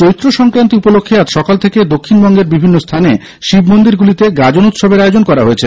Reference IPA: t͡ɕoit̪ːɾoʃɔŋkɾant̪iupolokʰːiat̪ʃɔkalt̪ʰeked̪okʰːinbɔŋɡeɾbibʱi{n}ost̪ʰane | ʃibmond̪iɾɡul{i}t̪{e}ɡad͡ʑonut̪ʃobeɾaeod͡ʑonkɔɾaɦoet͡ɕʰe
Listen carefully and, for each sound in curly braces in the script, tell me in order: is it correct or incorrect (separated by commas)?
incorrect, correct, correct